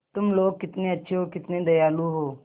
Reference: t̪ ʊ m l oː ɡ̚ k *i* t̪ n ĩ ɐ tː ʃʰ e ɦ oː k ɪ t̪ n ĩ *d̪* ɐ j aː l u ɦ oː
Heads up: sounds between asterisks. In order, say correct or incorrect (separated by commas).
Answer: incorrect, correct